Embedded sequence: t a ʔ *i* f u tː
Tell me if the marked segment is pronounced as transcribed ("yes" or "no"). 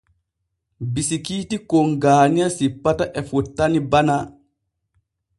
no